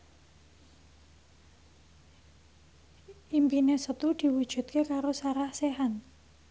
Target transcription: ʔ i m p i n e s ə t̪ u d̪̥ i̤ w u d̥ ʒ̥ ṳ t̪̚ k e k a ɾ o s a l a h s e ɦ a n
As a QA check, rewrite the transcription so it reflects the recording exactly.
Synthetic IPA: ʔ i m p i n e s ə t̪ u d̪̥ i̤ w u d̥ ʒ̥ ṳ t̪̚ k e k a ɾ o s a ɾ a h s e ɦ a n